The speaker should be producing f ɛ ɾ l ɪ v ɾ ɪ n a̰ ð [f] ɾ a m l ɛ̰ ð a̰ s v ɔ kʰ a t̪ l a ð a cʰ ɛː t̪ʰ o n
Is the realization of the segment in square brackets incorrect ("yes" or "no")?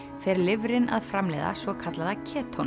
no